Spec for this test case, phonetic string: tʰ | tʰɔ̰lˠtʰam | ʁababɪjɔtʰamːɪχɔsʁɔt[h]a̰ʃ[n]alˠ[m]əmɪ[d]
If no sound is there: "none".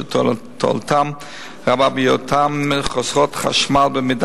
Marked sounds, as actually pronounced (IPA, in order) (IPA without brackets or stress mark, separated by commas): χ, m, b, d